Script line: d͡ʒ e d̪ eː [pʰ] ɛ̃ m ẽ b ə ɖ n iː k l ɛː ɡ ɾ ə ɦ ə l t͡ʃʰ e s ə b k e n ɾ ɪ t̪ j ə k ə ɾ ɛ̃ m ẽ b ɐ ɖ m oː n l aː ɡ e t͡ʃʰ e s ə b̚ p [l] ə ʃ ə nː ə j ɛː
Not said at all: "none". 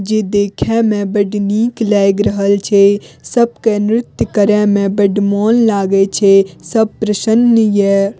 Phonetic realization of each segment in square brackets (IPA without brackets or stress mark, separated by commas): kʰ, ɾ